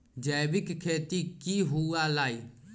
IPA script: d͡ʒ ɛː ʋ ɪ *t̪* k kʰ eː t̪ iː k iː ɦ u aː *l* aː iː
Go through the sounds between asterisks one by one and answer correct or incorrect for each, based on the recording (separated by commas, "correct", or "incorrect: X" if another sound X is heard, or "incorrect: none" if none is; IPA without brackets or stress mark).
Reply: incorrect: none, correct